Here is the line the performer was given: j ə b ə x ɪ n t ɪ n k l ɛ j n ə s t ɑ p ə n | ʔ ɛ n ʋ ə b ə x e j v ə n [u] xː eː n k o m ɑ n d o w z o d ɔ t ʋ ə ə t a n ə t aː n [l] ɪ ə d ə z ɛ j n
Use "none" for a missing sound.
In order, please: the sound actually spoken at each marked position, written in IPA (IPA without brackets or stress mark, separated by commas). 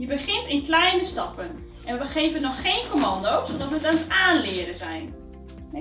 ɔ, l